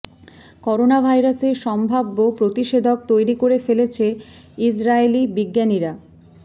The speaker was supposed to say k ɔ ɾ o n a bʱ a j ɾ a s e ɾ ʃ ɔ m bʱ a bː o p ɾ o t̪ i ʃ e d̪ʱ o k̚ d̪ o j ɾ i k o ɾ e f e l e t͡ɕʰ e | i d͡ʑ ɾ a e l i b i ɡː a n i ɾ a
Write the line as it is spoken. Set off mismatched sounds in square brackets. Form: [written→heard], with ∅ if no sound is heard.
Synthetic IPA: k ɔ ɾ o n a bʱ a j ɾ a s e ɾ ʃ ɔ m bʱ a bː o p ɾ o t̪ i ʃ e d̪ʱ o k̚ [d̪→t̪] o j ɾ i k o ɾ e f e l e t͡ɕʰ e | i d͡ʑ ɾ a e l i b i ɡː a n i ɾ a